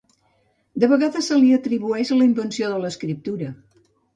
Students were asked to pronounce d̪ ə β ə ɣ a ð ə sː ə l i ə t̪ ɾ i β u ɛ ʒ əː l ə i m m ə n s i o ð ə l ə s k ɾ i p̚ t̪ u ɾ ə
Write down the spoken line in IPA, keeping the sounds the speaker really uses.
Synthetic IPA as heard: d̪ ə β ə ɣ a ð ə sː ə l i ə t̪ ɾ i β u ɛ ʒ ə l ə i m b ə n s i o ð ə l ə s k ɾ i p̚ t̪ u ɾ ə